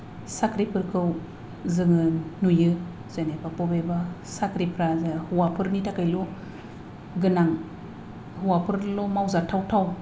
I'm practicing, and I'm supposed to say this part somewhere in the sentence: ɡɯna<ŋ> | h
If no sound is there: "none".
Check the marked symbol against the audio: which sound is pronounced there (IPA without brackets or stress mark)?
ŋ